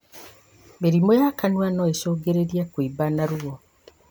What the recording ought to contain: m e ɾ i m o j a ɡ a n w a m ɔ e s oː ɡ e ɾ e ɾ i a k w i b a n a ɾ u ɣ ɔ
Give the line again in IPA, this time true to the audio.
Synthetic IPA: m e ɾ i m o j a k a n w a n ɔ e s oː ɡ e ɾ e ɾ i a k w i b a n a ɾ u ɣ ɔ